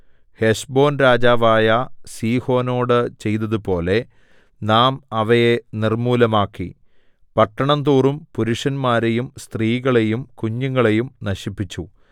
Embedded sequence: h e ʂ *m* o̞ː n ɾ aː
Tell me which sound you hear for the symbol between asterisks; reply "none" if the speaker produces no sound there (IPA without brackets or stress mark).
b